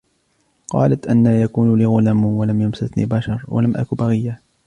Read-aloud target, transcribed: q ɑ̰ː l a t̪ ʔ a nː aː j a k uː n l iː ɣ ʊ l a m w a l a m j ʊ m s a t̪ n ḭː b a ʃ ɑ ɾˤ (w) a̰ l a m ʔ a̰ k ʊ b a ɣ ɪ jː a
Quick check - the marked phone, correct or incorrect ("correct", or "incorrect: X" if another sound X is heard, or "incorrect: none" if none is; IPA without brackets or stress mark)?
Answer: correct